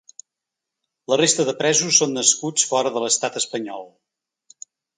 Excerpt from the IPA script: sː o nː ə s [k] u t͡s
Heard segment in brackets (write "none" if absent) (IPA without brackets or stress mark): k